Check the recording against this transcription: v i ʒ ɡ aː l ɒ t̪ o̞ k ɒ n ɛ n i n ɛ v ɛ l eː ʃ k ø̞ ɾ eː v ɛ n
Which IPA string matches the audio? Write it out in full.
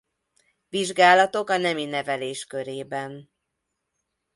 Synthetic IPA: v i ʒ ɡ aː l ɒ t̪ o̞ k ɒ n ɛ m i n ɛ v ɛ l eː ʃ k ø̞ ɾ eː b ɛ n